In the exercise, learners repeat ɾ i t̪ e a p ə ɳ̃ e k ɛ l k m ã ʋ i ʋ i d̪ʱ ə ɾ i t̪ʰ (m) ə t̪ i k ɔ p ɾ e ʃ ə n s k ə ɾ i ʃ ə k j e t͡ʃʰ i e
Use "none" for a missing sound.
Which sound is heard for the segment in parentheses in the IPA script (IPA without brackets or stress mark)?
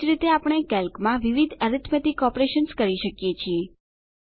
m